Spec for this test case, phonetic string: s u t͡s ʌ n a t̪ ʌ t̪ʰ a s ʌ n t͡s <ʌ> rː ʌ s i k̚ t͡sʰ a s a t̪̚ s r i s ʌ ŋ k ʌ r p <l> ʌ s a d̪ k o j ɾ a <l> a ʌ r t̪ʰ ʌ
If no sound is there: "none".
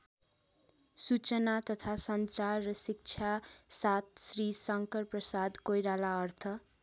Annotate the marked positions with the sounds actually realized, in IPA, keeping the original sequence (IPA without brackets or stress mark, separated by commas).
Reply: a, r, l